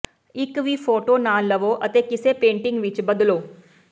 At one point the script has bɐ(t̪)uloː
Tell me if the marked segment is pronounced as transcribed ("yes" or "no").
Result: no